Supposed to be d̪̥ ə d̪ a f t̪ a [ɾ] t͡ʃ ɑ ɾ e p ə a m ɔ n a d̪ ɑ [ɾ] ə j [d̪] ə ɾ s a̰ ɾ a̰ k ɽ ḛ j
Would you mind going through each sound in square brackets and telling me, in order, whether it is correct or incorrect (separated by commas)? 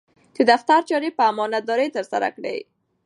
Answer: correct, correct, incorrect